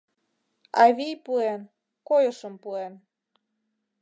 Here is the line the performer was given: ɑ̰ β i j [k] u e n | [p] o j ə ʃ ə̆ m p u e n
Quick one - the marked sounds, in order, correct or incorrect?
incorrect, incorrect

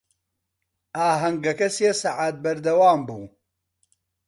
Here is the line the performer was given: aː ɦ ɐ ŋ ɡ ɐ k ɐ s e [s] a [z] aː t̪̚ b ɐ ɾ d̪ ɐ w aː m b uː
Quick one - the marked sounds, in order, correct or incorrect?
correct, incorrect

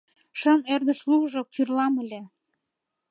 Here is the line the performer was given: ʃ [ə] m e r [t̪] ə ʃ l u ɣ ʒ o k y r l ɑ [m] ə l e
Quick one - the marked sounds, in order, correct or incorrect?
correct, incorrect, correct

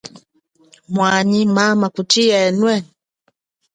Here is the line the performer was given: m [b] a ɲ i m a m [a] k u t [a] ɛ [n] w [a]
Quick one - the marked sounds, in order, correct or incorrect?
incorrect, correct, incorrect, correct, incorrect

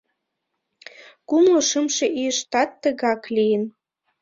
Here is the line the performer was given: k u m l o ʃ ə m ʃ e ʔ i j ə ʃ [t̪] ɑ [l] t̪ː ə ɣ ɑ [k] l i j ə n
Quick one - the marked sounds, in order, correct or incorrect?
correct, incorrect, correct

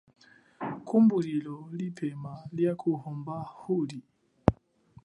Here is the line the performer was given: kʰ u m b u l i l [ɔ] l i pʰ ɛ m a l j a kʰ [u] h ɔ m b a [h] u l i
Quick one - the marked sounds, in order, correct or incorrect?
correct, correct, correct

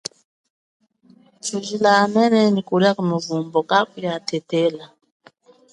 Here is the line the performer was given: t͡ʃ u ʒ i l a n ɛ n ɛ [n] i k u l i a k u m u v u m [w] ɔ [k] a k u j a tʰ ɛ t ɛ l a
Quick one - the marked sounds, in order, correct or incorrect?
correct, incorrect, correct

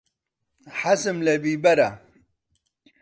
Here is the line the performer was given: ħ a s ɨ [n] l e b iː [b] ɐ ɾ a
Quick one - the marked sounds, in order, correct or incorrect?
incorrect, correct

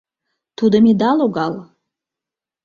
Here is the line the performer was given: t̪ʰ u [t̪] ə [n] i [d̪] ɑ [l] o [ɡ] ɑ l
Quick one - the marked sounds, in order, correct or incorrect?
incorrect, incorrect, correct, correct, correct

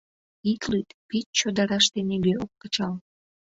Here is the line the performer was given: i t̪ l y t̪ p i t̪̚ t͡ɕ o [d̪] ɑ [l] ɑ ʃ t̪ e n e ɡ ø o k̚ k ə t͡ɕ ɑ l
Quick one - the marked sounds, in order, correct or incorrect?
correct, incorrect

